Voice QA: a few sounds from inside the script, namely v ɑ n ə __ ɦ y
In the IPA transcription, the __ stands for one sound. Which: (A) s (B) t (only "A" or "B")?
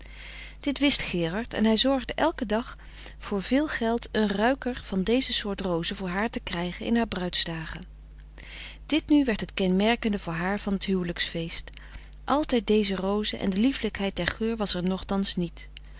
B